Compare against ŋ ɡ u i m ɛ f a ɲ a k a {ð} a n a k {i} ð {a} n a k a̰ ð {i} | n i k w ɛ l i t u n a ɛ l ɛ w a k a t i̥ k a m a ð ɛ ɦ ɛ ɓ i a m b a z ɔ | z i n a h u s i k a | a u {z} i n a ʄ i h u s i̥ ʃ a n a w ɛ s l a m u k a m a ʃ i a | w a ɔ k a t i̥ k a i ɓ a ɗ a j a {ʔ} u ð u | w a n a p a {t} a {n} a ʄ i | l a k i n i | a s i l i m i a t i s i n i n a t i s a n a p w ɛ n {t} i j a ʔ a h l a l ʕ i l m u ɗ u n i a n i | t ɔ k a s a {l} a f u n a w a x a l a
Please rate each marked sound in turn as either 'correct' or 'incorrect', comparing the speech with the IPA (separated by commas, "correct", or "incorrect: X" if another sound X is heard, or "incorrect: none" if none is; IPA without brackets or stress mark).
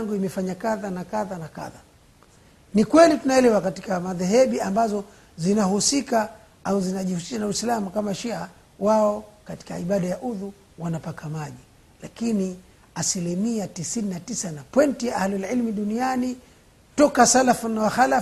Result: correct, incorrect: a, correct, incorrect: a, correct, correct, incorrect: k, incorrect: m, correct, correct